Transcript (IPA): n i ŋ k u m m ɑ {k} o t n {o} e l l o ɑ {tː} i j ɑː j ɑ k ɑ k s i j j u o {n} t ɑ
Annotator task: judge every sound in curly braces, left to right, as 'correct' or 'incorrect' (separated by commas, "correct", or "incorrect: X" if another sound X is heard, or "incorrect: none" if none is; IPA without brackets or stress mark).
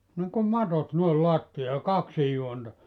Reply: incorrect: t, correct, correct, correct